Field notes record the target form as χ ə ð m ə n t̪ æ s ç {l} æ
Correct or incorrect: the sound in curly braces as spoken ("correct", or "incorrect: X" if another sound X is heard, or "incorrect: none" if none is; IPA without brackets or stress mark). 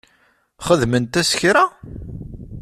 incorrect: ɾ